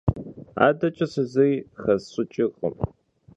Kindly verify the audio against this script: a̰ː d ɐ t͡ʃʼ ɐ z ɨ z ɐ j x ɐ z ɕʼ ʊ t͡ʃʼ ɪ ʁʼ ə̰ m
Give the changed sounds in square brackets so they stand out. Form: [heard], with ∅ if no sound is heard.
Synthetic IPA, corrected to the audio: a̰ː d ɐ t͡ʃʼ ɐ [s] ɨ z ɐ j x ɐ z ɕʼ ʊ t͡ʃʼ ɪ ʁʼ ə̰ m